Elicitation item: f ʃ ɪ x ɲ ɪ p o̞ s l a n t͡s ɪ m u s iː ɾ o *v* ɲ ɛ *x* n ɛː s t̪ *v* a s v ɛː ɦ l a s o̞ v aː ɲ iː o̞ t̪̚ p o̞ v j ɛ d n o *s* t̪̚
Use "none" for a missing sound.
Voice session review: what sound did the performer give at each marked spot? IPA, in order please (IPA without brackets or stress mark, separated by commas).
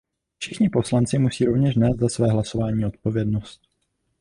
v, ʃ, z, s